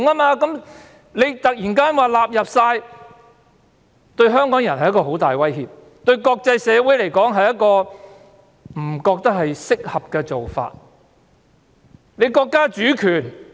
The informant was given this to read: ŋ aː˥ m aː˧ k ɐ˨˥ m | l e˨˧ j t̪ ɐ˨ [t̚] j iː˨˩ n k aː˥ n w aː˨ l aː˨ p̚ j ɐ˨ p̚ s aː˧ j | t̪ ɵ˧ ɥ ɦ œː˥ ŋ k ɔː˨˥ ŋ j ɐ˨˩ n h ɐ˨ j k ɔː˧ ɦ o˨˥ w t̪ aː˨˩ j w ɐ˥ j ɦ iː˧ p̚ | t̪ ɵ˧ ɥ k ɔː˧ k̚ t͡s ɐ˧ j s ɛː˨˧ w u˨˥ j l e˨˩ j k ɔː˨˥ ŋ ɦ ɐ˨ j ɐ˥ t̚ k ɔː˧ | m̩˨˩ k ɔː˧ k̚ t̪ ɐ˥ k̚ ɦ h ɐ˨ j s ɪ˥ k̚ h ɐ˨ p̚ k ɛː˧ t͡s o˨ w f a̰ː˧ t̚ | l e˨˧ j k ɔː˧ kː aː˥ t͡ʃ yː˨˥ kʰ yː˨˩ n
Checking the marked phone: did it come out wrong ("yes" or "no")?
yes